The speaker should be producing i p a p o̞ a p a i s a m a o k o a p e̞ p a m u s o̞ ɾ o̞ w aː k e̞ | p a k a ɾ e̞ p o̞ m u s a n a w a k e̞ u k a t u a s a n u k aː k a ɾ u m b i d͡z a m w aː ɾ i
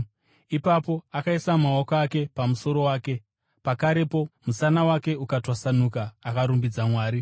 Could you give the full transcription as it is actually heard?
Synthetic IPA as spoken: i p a p o̞ a k a i s a m a o k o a k e̞ p a m u s o̞ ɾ o̞ w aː k e̞ | p a k a ɾ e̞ p o̞ m u s a n a w a k e̞ u k a t w a s a n u k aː k a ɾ u m b i d͡z a m w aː ɾ i